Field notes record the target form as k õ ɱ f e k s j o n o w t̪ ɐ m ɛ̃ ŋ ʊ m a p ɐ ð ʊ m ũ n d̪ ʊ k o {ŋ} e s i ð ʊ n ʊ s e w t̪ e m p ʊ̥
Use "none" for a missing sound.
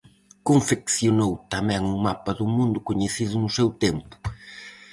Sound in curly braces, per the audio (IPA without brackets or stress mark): ɲ